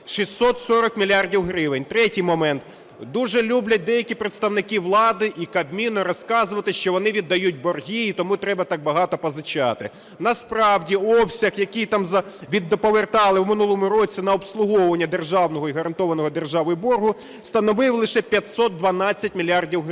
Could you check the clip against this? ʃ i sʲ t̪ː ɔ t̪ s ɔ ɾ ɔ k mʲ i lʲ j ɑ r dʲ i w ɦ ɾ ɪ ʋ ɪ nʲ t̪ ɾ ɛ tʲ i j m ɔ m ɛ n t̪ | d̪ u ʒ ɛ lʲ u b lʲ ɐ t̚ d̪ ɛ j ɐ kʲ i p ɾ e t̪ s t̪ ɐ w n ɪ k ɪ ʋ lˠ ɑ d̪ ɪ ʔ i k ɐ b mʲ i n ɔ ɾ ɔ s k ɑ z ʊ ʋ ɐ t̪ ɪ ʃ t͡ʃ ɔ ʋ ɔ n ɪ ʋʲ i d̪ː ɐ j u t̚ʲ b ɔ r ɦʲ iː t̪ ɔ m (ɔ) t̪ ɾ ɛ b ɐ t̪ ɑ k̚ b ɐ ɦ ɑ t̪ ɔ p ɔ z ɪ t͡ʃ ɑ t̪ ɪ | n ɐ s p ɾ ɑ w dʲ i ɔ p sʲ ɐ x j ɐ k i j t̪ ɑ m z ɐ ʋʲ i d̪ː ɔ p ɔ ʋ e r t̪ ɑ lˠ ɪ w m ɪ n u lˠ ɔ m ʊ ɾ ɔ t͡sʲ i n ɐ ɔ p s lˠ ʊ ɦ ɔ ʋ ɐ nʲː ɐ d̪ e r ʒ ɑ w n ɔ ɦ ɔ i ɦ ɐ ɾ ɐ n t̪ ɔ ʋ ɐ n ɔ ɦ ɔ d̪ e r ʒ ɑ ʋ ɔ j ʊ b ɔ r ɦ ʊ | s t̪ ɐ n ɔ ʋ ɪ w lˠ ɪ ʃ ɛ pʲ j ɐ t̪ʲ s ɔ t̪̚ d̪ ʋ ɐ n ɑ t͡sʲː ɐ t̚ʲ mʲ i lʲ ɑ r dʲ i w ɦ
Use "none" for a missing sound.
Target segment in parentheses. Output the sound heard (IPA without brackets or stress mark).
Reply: u